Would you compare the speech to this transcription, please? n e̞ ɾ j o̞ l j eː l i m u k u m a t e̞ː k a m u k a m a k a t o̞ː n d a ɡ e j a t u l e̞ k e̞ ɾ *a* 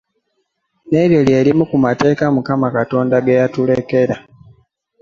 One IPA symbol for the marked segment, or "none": a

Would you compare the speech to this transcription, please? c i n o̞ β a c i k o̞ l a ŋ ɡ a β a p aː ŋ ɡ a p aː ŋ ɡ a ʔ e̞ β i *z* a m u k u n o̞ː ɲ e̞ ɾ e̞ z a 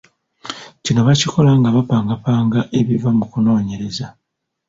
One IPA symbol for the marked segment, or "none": v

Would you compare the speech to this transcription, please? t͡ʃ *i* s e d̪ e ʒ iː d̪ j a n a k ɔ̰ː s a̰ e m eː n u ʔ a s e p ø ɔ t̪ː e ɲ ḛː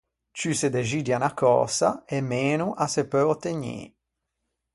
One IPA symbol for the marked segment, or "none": y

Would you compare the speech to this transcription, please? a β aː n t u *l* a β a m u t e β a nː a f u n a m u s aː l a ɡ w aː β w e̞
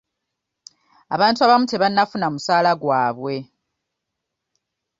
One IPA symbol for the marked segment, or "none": none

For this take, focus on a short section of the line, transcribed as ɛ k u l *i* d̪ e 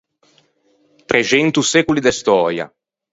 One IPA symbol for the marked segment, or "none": i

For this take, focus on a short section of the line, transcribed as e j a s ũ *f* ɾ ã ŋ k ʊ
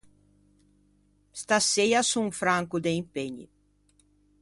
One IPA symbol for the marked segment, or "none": f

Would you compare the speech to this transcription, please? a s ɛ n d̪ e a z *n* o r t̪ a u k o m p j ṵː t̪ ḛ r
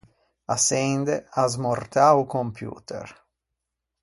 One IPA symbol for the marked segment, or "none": m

